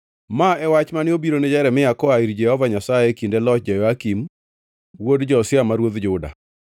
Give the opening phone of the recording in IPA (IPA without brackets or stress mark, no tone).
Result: m